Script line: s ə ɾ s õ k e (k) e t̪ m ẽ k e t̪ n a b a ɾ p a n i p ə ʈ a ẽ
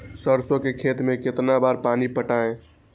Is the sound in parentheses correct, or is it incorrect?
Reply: incorrect